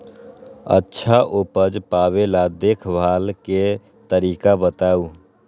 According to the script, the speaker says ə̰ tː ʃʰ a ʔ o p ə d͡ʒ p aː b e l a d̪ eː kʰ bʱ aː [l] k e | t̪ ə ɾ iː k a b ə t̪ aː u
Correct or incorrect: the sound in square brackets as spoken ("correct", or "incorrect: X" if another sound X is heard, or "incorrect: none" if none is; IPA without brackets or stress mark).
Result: correct